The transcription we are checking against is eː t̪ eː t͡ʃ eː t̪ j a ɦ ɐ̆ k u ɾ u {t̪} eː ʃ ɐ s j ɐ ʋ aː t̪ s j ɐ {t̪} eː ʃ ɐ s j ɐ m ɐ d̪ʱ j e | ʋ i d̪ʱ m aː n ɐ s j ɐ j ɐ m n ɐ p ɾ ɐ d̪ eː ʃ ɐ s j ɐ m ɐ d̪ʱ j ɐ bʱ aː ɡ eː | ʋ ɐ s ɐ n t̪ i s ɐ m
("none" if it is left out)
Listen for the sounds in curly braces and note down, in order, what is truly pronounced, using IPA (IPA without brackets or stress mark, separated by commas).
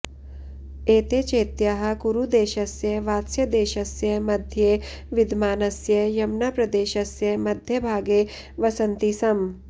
d̪, d̪